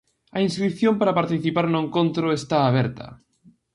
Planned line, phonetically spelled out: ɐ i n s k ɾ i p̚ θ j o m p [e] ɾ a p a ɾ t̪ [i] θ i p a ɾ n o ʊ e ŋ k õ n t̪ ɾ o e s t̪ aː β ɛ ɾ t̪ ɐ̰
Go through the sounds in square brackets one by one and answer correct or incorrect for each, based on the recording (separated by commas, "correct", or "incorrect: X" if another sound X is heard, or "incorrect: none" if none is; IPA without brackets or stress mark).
incorrect: a, correct